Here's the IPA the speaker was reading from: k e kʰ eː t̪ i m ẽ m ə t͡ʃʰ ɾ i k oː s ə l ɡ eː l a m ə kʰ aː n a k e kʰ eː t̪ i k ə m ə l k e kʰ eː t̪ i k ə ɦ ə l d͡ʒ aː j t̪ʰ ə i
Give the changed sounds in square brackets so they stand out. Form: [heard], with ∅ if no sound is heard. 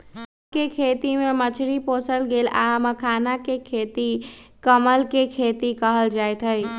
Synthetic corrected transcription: k e kʰ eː t̪ i m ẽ m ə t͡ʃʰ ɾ i [p] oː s ə l ɡ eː l a m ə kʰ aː n a k e kʰ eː t̪ i k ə m ə l k e kʰ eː t̪ i k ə ɦ ə l d͡ʒ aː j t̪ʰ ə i